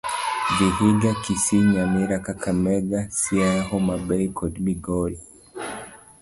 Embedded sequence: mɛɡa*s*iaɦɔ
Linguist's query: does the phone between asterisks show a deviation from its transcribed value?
no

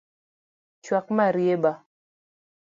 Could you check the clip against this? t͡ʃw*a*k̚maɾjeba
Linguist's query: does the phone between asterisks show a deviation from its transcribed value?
no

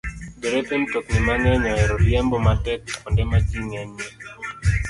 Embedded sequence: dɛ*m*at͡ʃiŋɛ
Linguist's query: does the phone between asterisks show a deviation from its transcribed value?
no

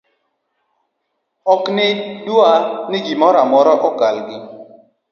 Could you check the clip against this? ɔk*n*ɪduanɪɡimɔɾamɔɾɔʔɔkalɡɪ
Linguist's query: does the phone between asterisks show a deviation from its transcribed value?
no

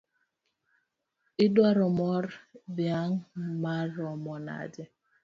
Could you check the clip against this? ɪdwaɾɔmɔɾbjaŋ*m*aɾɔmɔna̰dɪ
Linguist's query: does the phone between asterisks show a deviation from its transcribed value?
no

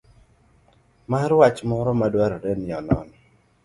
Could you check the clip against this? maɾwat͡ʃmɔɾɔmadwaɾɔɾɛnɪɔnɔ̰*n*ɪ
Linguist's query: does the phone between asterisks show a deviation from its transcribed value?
no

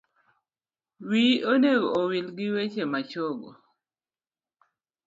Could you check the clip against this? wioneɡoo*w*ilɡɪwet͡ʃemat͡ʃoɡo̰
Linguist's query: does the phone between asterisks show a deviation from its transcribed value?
no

